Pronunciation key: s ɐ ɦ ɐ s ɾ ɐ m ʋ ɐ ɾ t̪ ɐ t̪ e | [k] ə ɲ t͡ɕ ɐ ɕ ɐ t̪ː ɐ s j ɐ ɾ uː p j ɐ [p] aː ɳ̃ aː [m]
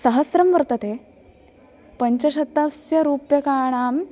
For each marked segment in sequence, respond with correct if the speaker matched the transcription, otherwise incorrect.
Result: incorrect, incorrect, correct

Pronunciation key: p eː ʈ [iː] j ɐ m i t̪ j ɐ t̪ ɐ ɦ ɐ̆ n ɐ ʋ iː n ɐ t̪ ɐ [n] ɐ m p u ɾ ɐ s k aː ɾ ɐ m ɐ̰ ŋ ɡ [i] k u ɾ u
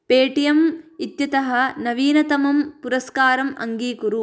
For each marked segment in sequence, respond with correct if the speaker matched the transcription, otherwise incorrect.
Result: incorrect, incorrect, incorrect

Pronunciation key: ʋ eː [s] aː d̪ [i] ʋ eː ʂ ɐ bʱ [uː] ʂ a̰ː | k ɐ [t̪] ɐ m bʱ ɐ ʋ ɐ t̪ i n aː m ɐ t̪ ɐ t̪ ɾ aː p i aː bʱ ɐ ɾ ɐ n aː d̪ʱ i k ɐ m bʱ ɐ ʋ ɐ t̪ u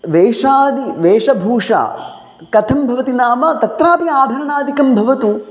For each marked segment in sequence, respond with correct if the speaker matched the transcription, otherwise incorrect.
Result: incorrect, correct, correct, incorrect

